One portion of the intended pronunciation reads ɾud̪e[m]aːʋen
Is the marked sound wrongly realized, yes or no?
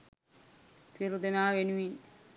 yes